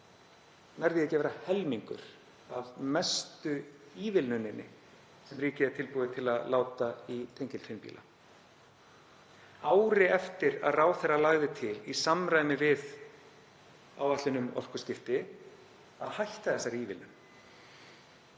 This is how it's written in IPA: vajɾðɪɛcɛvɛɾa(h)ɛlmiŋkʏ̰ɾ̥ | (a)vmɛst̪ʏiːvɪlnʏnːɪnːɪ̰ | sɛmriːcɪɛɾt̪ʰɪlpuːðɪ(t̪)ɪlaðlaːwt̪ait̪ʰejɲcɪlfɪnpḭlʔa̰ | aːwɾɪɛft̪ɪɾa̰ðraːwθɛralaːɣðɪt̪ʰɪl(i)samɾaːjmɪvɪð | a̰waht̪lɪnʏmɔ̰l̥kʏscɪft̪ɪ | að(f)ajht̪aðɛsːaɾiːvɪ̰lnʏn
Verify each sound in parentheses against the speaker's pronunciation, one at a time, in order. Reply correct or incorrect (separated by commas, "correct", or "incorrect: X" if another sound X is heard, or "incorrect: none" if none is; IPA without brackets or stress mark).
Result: correct, correct, incorrect: t̪ʰ, correct, incorrect: h